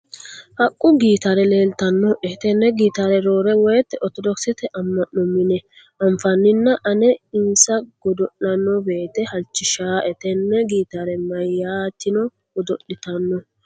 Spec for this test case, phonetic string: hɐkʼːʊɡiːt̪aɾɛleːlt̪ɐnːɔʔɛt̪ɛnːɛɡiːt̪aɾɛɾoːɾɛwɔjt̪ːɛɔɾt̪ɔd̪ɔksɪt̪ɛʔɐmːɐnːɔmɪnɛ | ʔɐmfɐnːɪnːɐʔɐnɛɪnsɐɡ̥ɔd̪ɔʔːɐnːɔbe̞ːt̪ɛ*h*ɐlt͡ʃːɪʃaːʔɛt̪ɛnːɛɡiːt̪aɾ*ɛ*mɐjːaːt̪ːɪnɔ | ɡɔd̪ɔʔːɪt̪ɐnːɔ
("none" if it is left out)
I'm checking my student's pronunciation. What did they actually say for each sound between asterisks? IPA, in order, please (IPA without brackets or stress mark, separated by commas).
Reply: h, ɛ